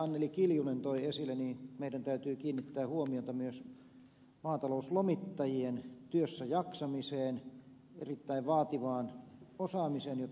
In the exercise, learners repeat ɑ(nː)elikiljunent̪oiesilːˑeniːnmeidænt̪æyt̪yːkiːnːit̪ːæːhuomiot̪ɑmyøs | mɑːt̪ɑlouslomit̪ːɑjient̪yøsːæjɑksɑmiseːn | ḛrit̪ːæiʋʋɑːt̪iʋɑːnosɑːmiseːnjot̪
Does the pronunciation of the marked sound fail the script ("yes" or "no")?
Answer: no